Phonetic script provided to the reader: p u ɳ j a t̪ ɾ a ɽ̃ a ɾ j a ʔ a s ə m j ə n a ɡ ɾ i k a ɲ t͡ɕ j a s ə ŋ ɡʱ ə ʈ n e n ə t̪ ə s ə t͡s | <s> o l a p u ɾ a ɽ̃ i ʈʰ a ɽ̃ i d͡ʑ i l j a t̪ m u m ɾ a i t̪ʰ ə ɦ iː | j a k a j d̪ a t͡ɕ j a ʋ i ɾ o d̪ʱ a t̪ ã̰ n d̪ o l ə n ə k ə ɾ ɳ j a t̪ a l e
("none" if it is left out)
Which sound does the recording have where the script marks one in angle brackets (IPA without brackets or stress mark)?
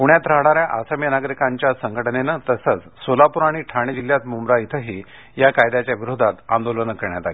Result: s